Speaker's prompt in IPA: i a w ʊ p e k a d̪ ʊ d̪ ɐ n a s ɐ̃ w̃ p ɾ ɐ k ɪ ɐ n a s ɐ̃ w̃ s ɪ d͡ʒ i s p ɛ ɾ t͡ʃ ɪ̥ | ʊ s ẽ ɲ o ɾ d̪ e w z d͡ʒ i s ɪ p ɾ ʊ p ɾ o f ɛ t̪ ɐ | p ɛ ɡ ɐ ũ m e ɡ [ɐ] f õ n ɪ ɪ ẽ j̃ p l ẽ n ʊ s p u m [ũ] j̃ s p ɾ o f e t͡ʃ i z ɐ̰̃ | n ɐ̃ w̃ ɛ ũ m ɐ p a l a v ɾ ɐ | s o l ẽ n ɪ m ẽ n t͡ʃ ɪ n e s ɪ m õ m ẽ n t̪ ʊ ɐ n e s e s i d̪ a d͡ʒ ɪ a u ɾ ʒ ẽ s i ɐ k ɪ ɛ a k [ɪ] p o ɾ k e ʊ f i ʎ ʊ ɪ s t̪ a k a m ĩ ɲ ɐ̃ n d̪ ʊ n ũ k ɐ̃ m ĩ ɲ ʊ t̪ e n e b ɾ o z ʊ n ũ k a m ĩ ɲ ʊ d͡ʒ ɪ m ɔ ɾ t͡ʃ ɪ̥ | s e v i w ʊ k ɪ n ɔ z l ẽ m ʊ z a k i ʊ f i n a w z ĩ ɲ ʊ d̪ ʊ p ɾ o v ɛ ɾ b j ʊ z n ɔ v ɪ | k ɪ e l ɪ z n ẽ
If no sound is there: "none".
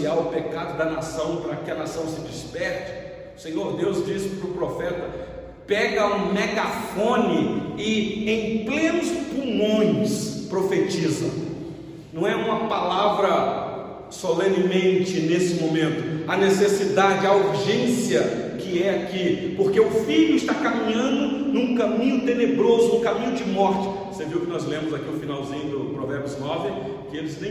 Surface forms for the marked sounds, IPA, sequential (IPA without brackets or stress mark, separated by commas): a, õ, i